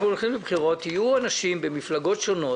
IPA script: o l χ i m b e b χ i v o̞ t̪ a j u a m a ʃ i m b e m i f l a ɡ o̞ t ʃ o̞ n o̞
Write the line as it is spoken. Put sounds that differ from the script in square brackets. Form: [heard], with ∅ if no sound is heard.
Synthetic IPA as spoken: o l χ i m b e b χ i [ʁ] o̞ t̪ [i] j u a [n] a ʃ i m b e m i f l a ɡ o̞ t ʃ o̞ n o̞